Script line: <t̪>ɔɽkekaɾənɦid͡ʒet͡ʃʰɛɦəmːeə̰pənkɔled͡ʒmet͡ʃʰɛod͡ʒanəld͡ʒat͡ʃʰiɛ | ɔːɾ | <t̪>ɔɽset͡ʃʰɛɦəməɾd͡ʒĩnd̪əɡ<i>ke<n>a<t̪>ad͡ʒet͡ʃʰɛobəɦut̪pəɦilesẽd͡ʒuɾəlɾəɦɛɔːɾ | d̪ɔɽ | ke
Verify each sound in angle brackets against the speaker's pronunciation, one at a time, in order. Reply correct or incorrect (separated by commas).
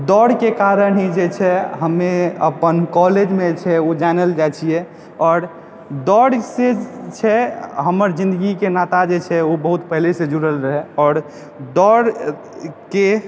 incorrect, incorrect, correct, correct, correct